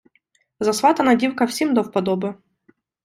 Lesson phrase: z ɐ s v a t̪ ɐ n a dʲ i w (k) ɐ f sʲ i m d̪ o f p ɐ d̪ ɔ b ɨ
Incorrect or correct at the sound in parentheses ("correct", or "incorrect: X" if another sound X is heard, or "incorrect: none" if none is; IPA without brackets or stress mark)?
correct